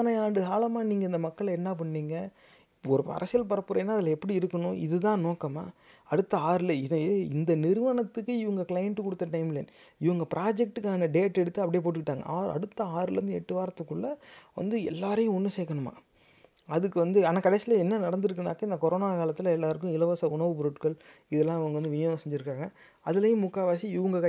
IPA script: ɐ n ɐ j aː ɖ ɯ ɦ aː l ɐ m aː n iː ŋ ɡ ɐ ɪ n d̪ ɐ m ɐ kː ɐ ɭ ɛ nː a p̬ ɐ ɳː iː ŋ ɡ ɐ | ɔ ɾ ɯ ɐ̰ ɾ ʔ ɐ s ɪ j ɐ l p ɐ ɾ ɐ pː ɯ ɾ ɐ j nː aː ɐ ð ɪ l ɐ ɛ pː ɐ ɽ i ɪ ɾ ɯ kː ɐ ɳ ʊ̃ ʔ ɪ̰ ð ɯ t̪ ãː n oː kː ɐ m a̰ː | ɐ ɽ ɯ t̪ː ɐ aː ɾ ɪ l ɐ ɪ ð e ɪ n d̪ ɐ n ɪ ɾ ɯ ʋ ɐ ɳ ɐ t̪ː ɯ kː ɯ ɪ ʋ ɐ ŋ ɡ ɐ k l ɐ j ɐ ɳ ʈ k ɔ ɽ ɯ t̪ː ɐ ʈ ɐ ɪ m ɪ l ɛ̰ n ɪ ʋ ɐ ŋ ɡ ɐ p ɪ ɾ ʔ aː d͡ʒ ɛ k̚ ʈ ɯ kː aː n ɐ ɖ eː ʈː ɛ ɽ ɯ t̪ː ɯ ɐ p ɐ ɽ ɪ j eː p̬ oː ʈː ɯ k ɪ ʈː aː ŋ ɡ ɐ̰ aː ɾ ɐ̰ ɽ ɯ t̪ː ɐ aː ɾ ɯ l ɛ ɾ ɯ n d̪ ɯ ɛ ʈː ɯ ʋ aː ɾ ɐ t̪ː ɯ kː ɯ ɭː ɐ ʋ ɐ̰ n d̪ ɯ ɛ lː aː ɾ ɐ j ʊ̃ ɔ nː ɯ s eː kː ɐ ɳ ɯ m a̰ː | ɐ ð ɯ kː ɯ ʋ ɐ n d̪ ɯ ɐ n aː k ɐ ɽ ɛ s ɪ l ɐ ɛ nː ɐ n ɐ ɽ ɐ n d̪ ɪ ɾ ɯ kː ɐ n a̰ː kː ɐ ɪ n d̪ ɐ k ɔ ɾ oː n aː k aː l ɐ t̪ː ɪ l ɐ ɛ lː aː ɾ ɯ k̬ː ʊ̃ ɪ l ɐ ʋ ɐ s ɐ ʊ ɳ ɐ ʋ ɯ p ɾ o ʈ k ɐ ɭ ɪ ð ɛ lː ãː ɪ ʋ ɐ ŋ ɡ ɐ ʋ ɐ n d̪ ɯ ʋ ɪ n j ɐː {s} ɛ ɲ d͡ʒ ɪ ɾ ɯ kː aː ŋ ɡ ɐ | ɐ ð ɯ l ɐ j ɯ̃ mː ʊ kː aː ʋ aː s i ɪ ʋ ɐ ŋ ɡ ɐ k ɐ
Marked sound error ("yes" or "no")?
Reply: no